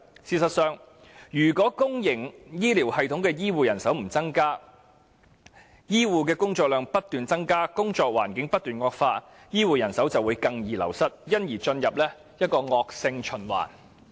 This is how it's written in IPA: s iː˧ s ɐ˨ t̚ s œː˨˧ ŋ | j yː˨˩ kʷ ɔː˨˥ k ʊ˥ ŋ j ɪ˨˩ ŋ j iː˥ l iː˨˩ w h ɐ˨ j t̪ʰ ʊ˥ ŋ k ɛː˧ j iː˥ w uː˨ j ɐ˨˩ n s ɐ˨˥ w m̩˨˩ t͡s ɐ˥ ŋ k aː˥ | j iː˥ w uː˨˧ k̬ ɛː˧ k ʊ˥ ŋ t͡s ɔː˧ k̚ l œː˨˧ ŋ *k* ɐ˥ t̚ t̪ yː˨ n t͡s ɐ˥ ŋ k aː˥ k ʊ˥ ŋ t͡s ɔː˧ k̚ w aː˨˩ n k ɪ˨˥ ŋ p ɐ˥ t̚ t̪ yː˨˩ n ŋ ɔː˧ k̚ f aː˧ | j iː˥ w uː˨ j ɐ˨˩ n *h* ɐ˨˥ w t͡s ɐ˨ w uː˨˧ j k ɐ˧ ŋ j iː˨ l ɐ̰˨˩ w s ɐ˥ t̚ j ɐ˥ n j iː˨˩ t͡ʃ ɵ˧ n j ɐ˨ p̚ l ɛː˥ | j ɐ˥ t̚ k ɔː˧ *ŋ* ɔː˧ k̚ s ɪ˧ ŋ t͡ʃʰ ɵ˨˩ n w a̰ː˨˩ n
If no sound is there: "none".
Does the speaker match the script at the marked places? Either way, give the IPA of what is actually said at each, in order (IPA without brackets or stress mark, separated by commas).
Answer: p, s, ŋ